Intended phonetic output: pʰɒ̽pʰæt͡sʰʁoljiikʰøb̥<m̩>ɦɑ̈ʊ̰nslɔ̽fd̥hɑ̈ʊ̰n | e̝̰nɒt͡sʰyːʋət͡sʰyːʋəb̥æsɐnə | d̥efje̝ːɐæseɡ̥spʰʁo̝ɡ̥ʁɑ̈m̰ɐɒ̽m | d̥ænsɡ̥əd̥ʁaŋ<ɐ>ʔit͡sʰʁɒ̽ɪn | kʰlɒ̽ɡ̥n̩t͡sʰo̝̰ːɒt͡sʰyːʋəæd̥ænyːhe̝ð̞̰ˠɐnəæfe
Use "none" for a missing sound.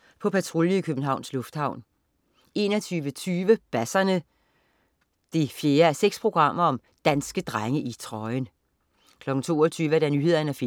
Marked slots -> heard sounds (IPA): n̩, ə

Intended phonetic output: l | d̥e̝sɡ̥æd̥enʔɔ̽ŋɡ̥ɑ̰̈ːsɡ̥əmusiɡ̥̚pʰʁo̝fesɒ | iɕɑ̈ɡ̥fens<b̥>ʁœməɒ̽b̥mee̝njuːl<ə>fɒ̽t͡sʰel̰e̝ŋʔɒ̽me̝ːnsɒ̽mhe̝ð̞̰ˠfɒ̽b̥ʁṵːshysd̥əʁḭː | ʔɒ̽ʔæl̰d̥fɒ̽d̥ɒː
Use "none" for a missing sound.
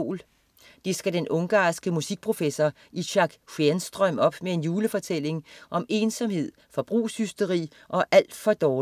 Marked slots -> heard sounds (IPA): d̥, ə

